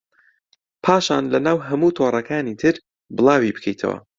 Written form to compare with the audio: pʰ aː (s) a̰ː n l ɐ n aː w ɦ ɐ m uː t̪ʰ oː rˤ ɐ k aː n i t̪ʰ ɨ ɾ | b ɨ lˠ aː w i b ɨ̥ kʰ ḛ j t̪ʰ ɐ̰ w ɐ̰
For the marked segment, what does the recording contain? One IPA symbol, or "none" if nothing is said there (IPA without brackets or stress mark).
ʃ